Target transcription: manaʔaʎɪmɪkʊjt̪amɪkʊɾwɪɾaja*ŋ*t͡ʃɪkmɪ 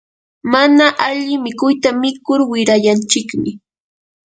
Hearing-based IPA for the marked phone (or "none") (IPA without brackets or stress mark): n